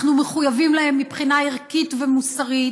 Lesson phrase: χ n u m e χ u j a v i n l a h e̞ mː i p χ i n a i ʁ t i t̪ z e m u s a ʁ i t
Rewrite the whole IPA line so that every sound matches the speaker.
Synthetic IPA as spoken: χ n u m e χ u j a v i m l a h e̞ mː i p χ i n a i ʁ k i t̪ v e m u s a ʁ i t